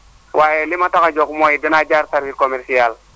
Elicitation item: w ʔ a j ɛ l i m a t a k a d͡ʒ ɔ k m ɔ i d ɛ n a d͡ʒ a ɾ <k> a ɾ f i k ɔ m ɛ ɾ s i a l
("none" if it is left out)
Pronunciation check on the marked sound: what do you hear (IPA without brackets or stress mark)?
t